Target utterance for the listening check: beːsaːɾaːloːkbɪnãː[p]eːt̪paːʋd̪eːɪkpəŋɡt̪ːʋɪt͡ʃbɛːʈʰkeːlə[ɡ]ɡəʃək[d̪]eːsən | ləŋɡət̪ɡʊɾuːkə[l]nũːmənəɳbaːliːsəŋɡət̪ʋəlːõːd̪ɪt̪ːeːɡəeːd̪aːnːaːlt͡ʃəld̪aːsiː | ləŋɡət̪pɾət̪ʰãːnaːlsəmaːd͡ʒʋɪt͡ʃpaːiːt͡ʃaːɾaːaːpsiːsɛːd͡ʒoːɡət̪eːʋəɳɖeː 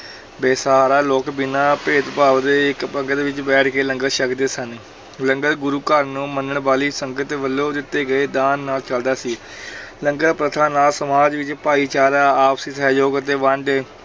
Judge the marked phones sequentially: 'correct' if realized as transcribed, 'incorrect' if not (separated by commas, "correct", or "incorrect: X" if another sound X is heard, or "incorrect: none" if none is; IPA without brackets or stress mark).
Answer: correct, incorrect: ŋ, correct, incorrect: ɾ